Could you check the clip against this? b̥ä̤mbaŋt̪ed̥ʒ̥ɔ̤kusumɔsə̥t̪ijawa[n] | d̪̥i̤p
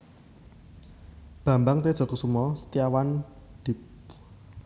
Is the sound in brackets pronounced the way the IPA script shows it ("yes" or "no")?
yes